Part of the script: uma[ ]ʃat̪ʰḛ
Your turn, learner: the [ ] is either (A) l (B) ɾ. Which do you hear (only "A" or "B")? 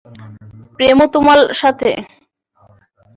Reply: A